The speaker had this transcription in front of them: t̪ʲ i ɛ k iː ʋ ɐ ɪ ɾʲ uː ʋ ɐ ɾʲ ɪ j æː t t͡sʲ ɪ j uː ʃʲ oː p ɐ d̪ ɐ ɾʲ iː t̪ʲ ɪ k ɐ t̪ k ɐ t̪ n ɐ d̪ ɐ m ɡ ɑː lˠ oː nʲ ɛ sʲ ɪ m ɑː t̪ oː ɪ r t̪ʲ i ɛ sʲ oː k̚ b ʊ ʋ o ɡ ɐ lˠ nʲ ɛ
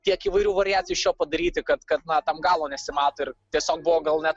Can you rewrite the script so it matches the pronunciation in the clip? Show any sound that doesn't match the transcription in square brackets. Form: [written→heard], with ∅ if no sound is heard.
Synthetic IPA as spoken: t̪ʲ i ɛ k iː ʋ ɐ ɪ ɾʲ uː ʋ ɐ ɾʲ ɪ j æː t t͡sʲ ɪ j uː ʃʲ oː p ɐ d̪ ɐ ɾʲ iː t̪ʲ ɪ k ɐ t̪ k ɐ t̪ n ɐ [d̪→t̪] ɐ m ɡ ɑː lˠ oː nʲ ɛ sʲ ɪ m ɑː t̪ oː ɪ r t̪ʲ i ɛ sʲ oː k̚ b ʊ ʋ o ɡ ɐ lˠ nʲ ɛ